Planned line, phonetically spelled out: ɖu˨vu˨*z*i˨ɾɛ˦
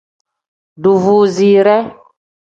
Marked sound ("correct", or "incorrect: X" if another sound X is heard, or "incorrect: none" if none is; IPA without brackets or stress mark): correct